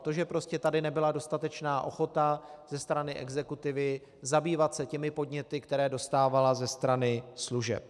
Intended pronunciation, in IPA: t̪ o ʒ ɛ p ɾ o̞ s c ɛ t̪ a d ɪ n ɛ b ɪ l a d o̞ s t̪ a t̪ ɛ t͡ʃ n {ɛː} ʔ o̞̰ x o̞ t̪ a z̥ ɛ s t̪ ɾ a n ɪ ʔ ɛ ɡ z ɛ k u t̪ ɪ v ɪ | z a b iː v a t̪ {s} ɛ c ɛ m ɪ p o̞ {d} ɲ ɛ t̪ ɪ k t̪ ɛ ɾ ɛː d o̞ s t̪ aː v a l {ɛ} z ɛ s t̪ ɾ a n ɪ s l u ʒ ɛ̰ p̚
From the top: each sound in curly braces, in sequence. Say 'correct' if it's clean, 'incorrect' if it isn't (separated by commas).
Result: incorrect, correct, correct, incorrect